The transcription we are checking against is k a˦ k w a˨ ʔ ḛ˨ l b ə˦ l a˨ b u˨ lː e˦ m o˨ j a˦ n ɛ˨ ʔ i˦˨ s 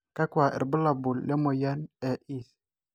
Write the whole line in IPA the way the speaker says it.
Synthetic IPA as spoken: k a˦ k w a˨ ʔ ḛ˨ ɾ b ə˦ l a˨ b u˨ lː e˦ m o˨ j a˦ n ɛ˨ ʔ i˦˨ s